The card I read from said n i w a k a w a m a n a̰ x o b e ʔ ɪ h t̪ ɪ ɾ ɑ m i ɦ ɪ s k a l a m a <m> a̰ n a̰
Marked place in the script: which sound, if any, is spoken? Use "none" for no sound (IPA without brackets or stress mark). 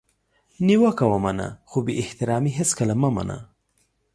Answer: m